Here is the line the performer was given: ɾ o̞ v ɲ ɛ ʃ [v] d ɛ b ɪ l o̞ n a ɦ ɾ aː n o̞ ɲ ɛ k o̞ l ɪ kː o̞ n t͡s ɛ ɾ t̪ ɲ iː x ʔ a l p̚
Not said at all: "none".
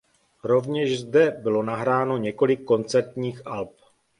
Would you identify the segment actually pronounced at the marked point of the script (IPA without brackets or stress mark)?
z